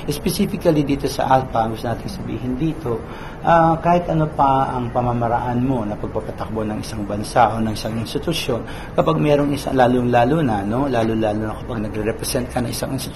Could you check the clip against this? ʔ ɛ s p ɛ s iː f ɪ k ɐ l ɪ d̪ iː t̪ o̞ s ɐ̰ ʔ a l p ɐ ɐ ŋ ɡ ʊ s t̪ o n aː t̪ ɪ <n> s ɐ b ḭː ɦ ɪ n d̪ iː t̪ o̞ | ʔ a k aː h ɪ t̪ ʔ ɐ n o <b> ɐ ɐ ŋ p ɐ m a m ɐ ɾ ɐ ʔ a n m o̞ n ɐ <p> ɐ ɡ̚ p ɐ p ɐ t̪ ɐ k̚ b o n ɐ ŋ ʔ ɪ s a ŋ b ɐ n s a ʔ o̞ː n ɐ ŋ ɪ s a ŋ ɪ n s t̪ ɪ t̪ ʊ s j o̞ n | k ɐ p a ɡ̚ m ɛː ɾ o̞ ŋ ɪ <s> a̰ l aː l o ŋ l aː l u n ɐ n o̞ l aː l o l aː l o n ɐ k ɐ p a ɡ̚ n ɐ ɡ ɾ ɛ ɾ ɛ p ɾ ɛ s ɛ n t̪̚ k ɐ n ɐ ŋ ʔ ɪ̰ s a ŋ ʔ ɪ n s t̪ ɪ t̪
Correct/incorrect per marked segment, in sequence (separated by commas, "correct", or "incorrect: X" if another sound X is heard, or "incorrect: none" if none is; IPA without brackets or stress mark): incorrect: ŋ, incorrect: p, correct, correct